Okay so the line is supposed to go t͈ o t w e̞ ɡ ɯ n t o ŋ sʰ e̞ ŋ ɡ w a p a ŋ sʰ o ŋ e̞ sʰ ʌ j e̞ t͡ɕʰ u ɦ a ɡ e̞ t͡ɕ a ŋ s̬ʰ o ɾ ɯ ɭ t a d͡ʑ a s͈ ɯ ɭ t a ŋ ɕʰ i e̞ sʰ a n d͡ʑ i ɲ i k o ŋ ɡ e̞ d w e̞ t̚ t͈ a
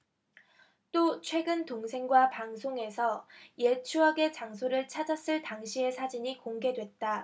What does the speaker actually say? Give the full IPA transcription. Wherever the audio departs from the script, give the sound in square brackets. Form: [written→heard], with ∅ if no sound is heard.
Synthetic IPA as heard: t͈ o [t→t͡ɕʰ] w e̞ ɡ ɯ n t o ŋ sʰ e̞ ŋ ɡ w a p a ŋ sʰ o ŋ e̞ sʰ ʌ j e̞ t͡ɕʰ u ɦ a ɡ e̞ t͡ɕ a ŋ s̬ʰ o ɾ ɯ ɭ [t→t͡ɕʰ] a d͡ʑ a s͈ ɯ ɭ t a ŋ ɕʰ i e̞ sʰ a [n→∅] d͡ʑ i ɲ i k o ŋ ɡ e̞ d w e̞ t̚ t͈ a